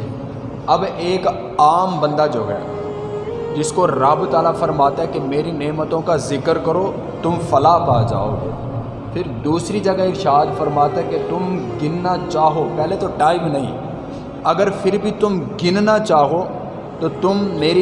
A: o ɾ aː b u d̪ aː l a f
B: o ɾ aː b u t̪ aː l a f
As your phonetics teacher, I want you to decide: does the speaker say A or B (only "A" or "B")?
B